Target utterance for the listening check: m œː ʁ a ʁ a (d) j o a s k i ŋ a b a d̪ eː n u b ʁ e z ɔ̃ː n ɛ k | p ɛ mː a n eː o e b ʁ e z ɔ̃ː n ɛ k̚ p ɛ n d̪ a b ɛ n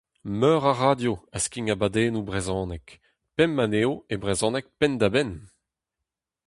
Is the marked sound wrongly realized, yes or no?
no